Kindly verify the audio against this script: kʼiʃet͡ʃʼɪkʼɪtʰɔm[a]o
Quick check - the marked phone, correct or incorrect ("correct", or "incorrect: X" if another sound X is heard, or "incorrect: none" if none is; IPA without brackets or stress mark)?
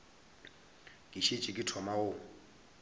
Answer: correct